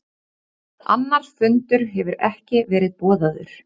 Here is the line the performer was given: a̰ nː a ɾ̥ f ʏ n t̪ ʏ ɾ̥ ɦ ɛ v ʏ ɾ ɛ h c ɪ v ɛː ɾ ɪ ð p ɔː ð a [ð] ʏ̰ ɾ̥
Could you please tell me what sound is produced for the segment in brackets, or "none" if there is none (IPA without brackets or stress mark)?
ð